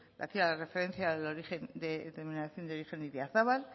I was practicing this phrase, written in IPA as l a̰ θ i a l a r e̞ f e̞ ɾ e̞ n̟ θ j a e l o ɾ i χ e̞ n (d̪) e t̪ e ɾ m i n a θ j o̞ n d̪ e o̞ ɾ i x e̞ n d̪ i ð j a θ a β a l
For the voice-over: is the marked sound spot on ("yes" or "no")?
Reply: yes